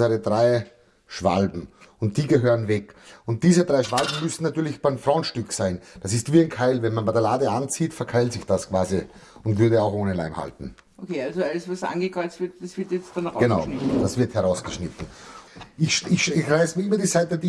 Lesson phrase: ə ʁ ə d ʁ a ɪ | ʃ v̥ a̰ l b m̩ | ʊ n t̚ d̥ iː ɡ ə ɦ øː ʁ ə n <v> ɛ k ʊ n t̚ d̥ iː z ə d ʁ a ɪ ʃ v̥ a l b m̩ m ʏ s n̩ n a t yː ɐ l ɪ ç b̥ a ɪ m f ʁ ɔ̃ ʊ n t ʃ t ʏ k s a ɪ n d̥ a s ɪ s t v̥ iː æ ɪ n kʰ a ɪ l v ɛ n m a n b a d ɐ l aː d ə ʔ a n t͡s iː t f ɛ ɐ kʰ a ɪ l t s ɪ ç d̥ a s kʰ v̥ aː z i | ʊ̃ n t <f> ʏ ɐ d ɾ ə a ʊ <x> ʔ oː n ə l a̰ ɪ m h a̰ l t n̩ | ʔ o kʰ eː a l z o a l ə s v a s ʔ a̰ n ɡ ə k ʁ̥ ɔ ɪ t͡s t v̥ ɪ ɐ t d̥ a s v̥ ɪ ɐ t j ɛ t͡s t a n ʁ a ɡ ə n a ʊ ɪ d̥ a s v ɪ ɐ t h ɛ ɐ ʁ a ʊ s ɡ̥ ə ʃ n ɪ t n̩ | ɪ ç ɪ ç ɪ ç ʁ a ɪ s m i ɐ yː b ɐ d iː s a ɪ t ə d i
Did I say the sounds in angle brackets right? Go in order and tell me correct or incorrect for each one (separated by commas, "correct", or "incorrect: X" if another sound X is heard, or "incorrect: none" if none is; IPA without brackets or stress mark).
correct, incorrect: v, correct